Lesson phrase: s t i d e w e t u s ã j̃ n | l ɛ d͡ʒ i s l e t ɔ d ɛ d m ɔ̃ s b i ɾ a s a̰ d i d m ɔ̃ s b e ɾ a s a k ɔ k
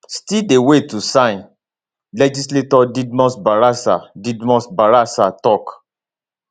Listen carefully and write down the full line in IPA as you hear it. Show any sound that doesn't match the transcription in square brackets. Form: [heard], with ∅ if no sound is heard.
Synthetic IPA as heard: s t i d e w e t u s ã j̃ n | l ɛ d͡ʒ i s l e t ɔ d [i] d m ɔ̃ s b [a] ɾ a s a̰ d i d m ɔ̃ s b [a] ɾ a s a [t] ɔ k